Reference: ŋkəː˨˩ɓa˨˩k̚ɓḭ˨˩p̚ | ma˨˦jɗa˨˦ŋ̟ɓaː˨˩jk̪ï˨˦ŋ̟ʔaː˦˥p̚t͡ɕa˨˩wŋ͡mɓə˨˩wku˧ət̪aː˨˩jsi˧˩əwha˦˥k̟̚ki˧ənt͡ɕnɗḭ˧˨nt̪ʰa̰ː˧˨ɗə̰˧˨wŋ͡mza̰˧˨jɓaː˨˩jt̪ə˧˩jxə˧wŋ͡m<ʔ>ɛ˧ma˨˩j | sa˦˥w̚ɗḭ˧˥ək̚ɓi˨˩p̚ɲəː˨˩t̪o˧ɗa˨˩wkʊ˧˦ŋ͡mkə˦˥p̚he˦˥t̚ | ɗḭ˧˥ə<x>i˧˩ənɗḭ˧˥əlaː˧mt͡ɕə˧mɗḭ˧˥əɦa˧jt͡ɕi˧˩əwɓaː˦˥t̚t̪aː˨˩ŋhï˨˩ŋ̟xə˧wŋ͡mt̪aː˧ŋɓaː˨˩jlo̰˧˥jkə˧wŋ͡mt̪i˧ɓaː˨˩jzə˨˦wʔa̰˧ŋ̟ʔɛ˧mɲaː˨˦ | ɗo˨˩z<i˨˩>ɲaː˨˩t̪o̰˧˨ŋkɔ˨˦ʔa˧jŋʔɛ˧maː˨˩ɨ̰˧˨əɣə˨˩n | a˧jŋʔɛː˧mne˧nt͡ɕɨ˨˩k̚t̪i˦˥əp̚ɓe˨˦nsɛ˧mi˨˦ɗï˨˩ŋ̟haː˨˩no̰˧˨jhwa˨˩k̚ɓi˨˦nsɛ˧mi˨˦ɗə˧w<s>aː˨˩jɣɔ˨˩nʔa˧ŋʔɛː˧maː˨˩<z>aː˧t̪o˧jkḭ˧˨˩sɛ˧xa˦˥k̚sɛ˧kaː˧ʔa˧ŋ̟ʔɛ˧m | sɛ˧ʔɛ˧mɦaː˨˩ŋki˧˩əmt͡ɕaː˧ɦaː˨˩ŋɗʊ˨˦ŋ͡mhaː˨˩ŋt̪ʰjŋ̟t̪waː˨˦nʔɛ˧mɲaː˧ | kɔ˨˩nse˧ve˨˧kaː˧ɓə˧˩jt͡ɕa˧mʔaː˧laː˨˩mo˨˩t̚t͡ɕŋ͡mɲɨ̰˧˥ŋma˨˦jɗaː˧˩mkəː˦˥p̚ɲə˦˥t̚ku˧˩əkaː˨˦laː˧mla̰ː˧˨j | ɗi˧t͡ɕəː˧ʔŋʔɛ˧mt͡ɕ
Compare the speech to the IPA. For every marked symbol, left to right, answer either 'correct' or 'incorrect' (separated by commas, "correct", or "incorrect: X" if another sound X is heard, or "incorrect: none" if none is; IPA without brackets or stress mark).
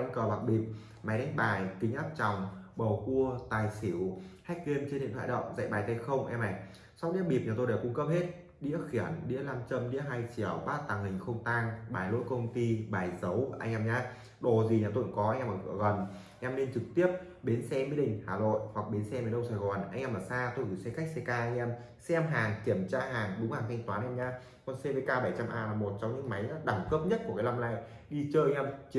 correct, correct, correct, correct, incorrect: s